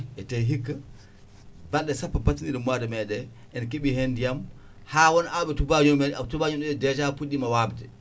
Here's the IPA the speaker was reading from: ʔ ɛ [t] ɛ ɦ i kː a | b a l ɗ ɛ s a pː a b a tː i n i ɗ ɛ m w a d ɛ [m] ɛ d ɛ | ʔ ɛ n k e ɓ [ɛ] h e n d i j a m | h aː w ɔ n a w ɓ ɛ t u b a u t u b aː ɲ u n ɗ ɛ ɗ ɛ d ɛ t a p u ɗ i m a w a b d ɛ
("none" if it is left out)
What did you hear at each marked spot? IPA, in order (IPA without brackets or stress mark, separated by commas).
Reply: t, m, i